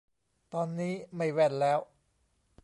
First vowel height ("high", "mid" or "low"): mid